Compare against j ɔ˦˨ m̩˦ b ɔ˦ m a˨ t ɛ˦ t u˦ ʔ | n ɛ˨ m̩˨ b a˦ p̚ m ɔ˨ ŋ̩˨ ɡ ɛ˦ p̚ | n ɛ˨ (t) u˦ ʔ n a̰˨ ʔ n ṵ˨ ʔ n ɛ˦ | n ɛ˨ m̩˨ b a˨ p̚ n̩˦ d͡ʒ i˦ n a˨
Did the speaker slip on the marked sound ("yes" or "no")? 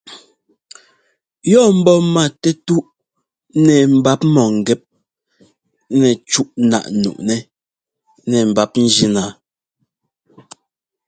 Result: yes